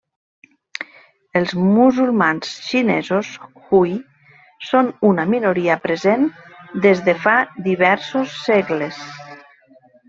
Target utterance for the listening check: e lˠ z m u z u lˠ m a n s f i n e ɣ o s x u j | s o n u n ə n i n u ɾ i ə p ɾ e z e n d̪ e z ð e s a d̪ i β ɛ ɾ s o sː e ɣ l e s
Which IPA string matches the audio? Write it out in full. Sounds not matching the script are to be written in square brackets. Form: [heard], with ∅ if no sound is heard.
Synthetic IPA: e lˠ z m u z u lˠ m a n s [ʃ] i n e [z] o s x u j | s o n u n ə [m] i n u ɾ i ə p ɾ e z e n d̪ e z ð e [f] a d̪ i β ɛ ɾ s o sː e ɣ l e s